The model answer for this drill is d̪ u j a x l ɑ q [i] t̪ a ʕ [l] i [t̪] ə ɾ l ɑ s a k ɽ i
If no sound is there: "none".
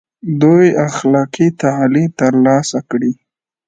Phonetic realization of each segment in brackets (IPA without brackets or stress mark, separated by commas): i, l, t̪